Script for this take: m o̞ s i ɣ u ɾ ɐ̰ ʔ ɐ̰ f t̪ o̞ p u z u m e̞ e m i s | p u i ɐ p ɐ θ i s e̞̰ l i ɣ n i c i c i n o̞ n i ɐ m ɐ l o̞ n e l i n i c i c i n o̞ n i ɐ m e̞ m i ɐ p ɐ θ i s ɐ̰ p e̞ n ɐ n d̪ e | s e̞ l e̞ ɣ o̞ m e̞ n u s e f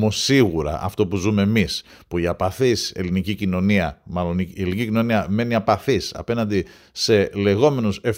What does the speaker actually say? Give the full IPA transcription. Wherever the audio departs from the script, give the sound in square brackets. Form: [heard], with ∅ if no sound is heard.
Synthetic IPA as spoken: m o̞ s i ɣ u ɾ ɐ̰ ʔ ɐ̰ f t̪ o̞ p u z u m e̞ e m i s | p u i ɐ p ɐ θ i s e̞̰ l i [∅] n i c i c i n o̞ n i ɐ m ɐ l o̞ n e l i n i c i c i n o̞ n i ɐ m e̞ [n] i ɐ p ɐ θ i s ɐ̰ p e̞ n ɐ n d̪ [i] | s e̞ l e̞ ɣ o̞ m e̞ n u s e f